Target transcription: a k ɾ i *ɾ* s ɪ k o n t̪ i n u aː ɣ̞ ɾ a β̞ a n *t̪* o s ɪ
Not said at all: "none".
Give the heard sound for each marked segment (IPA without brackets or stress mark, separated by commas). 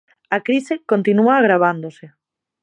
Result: none, d̪